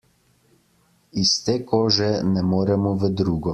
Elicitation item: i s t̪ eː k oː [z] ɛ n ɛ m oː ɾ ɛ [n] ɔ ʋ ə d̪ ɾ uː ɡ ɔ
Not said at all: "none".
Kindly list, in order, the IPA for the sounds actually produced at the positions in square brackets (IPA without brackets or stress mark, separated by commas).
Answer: ʒ, m